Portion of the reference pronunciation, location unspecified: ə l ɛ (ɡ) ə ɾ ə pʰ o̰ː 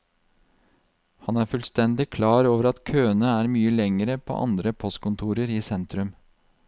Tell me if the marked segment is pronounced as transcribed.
no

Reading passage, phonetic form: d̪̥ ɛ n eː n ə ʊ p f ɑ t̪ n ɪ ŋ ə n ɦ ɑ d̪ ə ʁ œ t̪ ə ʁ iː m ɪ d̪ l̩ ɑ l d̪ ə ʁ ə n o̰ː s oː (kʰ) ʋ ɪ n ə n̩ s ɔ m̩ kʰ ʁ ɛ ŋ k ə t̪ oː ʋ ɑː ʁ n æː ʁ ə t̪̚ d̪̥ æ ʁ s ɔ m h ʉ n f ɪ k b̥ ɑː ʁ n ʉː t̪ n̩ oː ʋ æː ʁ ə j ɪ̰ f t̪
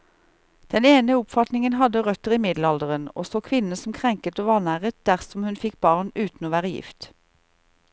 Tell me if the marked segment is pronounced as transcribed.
yes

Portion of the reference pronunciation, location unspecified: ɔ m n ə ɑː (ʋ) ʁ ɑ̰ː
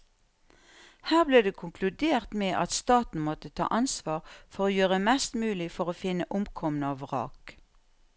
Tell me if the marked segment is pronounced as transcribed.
yes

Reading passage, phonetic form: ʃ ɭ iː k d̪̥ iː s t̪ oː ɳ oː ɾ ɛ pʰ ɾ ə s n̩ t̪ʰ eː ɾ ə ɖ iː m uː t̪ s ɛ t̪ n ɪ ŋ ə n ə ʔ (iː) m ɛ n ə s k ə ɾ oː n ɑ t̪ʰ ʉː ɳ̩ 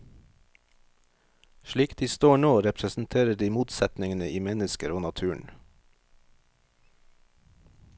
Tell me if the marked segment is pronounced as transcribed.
yes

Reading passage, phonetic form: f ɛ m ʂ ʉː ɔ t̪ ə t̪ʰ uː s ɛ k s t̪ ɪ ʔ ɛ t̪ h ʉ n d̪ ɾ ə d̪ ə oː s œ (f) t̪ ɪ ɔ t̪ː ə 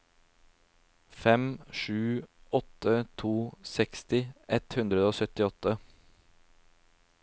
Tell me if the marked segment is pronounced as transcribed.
no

